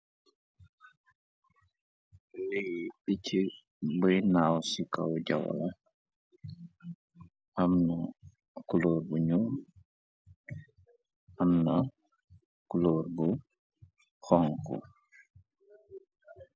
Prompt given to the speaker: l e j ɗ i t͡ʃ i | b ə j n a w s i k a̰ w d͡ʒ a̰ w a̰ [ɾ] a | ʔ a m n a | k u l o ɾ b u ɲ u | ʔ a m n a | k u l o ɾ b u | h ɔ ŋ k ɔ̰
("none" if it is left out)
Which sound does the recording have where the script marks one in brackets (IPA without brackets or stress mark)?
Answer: l